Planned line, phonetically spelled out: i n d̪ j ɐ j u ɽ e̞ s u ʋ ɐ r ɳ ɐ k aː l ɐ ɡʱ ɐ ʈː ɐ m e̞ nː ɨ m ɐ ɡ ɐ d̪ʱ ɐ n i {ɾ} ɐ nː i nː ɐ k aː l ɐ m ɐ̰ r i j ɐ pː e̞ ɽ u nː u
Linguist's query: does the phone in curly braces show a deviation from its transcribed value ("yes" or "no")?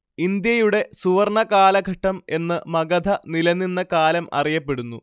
yes